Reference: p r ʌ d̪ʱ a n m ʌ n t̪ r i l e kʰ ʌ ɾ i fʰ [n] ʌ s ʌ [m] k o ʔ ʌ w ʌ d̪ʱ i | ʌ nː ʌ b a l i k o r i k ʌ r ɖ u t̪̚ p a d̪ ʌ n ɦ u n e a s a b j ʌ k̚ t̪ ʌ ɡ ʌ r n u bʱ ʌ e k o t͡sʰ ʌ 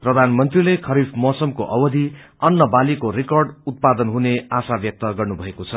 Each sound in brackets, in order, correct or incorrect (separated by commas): incorrect, correct